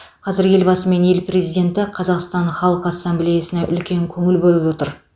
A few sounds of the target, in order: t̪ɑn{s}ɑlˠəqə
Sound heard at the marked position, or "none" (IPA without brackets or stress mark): χ